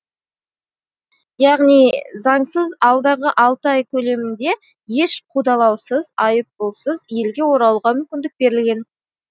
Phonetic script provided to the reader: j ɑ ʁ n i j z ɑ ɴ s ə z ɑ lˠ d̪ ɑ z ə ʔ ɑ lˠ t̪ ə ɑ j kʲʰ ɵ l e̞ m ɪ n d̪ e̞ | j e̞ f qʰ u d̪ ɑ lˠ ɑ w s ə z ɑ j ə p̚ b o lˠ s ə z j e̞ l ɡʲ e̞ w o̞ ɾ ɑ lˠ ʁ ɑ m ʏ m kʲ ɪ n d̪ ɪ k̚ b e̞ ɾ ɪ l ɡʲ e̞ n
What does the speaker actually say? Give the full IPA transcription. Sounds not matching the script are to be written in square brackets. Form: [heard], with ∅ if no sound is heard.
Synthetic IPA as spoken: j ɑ ʁ n i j z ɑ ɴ s ə z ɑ lˠ d̪ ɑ [ʁ] ə ʔ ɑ lˠ t̪ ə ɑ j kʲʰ ɵ l e̞ m ɪ n d̪ e̞ | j e̞ [ʃ] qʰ u d̪ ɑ lˠ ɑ w s ə z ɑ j ə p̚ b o lˠ s ə z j e̞ l ɡʲ e̞ w o̞ ɾ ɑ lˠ ʁ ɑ m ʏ m kʲ ɪ n d̪ ɪ k̚ b e̞ ɾ ɪ l ɡʲ e̞ n